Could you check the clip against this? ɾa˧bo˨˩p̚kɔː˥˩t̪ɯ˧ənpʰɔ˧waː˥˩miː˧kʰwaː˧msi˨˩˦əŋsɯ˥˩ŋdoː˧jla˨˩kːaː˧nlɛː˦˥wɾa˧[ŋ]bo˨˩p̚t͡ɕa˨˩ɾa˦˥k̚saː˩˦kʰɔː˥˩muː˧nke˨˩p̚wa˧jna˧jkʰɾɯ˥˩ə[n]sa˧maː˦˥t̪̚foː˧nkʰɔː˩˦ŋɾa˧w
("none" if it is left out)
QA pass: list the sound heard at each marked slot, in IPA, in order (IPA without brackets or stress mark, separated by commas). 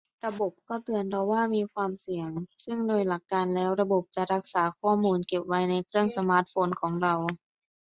none, ŋ